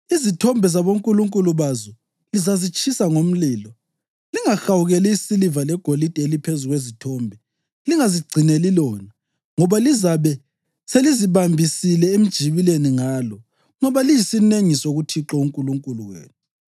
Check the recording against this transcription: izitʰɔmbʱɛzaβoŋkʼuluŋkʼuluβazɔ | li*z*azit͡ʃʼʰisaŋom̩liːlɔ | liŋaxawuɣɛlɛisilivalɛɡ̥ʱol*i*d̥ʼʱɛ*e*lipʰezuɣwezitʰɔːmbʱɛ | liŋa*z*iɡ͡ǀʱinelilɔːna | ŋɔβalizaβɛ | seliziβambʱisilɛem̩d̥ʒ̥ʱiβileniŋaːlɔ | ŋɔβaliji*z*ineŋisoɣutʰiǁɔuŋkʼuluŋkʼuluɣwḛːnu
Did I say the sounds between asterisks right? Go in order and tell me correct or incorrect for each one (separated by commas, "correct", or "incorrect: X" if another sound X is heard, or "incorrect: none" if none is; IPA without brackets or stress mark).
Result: correct, correct, correct, correct, incorrect: s